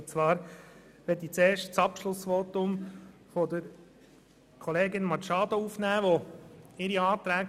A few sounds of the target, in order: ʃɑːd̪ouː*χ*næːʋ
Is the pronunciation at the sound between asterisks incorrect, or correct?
incorrect: f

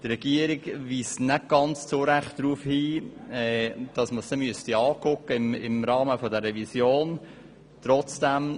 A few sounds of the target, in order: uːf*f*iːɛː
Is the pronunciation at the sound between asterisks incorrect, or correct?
incorrect: h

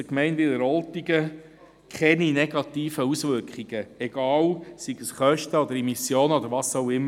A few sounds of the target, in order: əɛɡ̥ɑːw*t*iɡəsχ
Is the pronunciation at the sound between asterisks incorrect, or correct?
incorrect: s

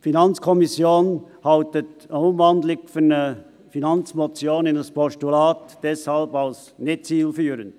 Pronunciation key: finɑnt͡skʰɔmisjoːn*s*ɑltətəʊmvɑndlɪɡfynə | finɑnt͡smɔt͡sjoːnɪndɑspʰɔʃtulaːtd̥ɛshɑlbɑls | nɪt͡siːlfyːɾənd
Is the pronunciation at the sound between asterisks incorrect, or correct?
incorrect: h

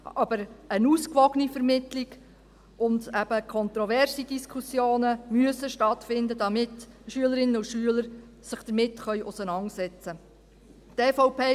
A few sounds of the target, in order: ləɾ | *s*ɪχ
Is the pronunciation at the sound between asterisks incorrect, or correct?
correct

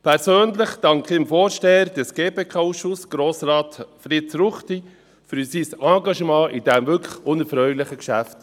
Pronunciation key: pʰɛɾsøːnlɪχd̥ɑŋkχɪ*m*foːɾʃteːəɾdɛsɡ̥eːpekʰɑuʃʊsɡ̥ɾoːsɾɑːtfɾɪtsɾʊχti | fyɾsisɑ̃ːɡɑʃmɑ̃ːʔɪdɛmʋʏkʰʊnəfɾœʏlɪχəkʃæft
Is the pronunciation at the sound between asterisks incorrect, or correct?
correct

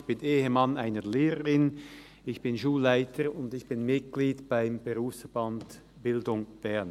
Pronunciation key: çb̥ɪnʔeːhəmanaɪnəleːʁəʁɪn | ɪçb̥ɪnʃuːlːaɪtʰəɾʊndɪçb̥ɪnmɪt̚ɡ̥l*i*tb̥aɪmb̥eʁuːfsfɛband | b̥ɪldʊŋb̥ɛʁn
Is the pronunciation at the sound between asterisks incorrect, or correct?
incorrect: iː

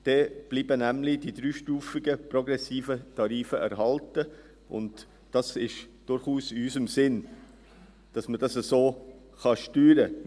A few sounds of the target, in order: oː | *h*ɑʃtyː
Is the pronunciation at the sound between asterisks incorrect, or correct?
incorrect: χ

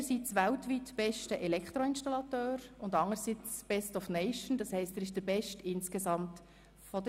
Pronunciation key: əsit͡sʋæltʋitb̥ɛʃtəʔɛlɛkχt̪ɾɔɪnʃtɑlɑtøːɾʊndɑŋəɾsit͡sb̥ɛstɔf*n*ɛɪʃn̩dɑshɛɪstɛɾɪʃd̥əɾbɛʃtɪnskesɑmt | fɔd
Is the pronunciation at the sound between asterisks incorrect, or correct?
correct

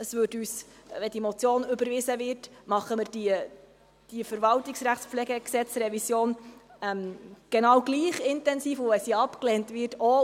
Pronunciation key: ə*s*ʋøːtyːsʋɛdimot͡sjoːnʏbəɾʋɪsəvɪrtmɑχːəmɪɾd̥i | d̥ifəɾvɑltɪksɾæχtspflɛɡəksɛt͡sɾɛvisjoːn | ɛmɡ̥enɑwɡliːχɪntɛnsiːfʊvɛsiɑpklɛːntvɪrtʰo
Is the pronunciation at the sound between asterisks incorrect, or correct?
correct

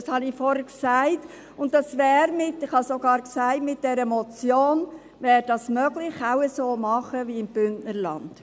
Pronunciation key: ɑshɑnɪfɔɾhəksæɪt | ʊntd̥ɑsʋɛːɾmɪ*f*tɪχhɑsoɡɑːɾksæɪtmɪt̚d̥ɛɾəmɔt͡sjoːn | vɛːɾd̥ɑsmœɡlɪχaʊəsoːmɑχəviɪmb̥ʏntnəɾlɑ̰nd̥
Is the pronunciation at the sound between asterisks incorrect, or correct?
incorrect: none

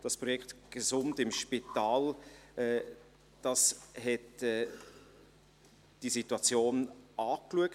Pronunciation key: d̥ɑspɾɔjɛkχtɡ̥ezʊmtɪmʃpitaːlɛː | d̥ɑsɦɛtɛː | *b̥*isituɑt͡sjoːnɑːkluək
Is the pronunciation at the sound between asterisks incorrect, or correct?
incorrect: d̥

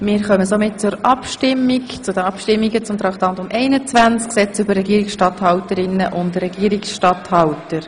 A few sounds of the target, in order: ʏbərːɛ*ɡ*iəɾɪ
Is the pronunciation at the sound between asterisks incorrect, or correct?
correct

